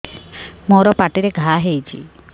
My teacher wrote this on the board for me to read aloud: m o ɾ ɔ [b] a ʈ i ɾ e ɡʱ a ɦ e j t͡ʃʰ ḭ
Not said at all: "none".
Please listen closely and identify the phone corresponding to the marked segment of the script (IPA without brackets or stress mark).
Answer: p